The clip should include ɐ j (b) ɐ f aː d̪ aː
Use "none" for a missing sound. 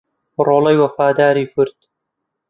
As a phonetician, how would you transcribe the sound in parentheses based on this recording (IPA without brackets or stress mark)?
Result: w